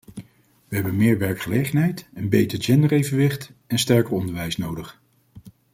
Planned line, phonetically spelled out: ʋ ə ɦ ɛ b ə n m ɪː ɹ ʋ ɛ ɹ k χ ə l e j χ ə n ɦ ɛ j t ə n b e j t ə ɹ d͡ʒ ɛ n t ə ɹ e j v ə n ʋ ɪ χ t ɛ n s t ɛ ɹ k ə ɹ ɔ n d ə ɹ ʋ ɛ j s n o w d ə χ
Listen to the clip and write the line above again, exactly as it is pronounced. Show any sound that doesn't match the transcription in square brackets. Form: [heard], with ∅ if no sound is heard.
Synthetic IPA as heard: ʋ ə ɦ ɛ b ə n m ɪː ɹ ʋ ɛ ɹ k χ ə l e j χ ə n ɦ ɛ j t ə n b e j t ə ɹ d͡ʒ ɛ n [d] ə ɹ e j v ə n ʋ ɪ χ t ɛ n s t ɛ ɹ k ə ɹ ɔ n d ə ɹ ʋ ɛ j s n o w d ə χ